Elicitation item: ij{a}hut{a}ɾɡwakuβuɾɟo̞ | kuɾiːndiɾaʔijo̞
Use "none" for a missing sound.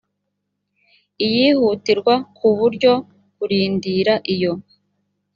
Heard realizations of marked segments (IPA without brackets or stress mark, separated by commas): i, i